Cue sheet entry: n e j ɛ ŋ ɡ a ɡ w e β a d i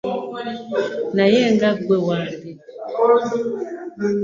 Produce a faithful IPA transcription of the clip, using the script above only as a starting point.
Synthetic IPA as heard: n a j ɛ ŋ ɡ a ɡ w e w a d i

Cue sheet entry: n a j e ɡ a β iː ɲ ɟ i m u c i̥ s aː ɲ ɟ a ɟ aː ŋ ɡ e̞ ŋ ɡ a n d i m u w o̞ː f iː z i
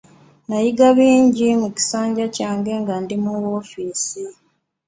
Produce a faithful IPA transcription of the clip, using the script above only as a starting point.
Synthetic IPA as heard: n a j i ɡ a β iː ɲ ɟ i m u c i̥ s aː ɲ ɟ a c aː ŋ ɡ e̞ ŋ ɡ a n d i m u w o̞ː f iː s i

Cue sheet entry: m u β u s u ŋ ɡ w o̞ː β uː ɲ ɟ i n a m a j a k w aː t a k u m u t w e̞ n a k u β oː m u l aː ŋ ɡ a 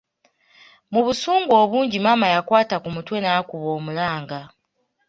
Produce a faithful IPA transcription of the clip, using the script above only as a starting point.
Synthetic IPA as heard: m u β u s uː ŋ ɡ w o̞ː β uː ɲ ɟ i m a m a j a k w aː t a k u m u t w e̞ n a k u β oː m u l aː ŋ ɡ a

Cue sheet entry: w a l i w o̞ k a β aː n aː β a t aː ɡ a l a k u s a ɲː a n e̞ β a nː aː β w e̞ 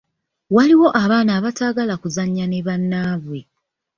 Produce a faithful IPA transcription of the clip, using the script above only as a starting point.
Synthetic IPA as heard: w a l i w o̞ ʔ a β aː n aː β a t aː ɡ a l a k u z a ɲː a n e̞ β a nː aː β w e̞

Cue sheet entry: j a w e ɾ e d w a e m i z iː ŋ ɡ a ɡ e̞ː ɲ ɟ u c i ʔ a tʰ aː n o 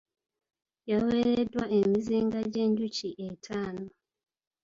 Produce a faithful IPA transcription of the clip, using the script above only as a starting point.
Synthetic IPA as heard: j a w e ɾ e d w a e m i z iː ŋ ɡ a ɟ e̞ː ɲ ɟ u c i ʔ e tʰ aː n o

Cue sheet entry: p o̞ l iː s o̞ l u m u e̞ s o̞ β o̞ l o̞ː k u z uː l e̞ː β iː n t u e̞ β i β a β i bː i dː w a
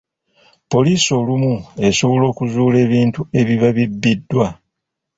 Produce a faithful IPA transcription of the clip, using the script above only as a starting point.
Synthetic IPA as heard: p o̞ l iː s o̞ l u m u e̞ s o̞ β o̞ l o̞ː k u z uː l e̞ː β iː n t u e̞ β i β a β i bː i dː w a

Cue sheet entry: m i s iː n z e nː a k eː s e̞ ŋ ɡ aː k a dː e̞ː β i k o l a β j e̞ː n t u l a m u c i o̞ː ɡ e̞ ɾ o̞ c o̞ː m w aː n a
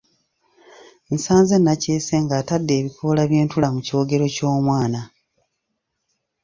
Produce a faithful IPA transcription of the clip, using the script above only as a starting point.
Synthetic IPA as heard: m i s aː n z e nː a c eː s e̞ ŋ ɡ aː t a dː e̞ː β i k o l a β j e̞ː n t u l a m u c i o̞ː ɡ e̞ ɾ o̞ c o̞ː m w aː n a

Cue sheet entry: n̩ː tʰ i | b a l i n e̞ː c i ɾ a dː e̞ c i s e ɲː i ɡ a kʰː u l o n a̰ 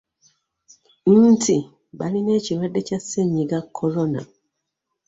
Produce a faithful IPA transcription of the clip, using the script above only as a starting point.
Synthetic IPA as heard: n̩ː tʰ i | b a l i n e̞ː c i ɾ a dː e̞ c a s e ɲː i ɡ a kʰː o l o n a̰

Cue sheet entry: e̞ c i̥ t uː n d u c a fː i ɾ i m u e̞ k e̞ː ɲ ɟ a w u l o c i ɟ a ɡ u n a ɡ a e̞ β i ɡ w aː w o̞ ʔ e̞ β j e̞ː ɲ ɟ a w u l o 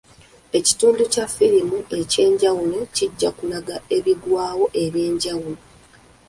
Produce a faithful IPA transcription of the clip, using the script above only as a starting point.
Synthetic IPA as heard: e̞ c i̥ t uː n d u c a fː i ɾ i m u e̞ c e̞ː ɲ ɟ a w u l o c i ɟː a k u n a ɡ a e̞ β i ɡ w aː w o̞ ʔ e̞ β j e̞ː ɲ ɟ a w u l o

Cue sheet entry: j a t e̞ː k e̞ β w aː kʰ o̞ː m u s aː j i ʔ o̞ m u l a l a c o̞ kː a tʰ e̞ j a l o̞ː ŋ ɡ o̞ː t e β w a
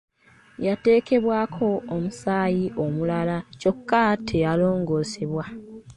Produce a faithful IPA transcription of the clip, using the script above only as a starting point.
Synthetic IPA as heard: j a t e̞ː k e̞ β w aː kʰ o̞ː m u s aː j i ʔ o̞ m u l a l a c o̞ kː a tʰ e̞ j a l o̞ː ŋ ɡ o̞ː s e β w a

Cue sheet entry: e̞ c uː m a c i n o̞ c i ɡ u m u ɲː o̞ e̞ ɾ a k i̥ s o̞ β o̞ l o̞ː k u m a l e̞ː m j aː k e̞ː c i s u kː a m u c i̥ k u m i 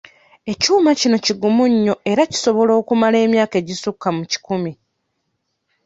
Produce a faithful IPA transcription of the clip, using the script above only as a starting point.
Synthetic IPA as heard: e̞ c uː m a c i n o̞ c i ɡ u m u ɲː o̞ e̞ ɾ a c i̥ s o̞ β o̞ l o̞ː k u m a l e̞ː m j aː k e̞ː ɟ i s u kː a m u c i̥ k u m i

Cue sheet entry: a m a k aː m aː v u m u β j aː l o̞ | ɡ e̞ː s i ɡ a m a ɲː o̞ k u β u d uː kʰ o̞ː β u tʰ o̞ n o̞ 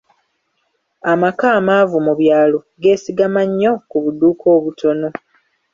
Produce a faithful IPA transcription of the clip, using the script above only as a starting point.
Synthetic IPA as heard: a m a k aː m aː v u m u β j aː l o̞ | ɡ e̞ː s i ɡ a m a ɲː o̞ k u β u d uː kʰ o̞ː β u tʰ o̞ n o̞

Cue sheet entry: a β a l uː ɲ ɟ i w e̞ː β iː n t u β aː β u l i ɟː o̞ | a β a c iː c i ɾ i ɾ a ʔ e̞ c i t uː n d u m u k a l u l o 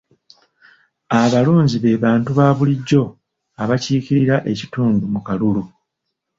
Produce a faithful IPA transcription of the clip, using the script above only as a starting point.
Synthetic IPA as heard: a β a l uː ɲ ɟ i β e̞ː β aː n t u β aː β u l i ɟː o̞ | a β a c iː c i ɾ i ɾ a ʔ e̞ c i t uː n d u m u k a l u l u

